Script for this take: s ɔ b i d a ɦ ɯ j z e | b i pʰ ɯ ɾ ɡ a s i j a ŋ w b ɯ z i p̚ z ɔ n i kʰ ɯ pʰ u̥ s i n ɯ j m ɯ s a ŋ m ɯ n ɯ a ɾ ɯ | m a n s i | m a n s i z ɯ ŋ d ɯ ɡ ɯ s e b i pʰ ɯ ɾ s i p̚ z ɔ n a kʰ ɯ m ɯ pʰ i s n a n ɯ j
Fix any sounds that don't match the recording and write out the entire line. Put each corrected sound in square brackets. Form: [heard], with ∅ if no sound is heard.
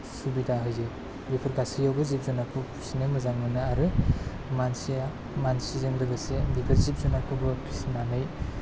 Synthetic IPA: s [u] b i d a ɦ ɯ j z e | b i pʰ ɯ ɾ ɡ a s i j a [∅] w b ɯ z i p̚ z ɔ n [a] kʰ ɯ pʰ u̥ s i n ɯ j m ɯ [z] a ŋ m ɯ n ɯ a ɾ ɯ | m a n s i | m a n s i z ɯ ŋ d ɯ ɡ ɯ s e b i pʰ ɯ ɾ [z] i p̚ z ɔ n a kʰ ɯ [b] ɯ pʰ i s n a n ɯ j